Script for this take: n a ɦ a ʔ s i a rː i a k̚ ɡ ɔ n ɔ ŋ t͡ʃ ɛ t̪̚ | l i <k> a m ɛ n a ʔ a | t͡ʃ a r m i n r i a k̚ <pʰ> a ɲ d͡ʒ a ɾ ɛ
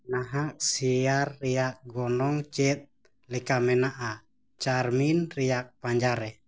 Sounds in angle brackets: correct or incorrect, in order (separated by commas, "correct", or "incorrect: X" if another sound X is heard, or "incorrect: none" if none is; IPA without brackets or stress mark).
correct, incorrect: p